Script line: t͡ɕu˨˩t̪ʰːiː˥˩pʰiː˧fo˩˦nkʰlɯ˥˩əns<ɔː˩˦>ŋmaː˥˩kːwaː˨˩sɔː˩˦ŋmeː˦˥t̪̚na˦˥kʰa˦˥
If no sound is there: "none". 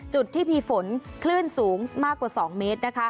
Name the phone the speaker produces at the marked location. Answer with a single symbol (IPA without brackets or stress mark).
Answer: uː˩˦